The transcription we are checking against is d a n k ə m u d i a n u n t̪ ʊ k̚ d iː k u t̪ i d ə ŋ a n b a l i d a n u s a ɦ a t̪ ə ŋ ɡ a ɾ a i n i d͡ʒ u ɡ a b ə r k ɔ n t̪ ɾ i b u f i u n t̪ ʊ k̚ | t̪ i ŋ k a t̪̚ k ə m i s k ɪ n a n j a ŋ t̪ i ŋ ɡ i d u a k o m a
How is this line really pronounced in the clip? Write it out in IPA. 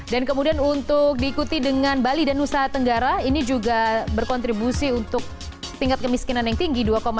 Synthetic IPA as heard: d a n k ə m u d i a n u n t̪ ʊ k̚ d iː k u t̪ i d ə ŋ a n b a l i d a n u s a ɦ a t̪ ə ŋ ɡ a ɾ a i n i d͡ʒ u ɡ a b ə r k ɔ n t̪ ɾ i b u s i u n t̪ ʊ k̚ | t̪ i ŋ k a t̪̚ k ə m i s k i n a n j a ŋ t̪ i ŋ ɡ i d u a k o m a